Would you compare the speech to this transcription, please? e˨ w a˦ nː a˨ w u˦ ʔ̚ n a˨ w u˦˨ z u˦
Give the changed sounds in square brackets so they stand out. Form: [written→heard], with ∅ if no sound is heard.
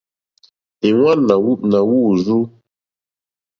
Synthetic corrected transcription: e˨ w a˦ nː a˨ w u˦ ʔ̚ n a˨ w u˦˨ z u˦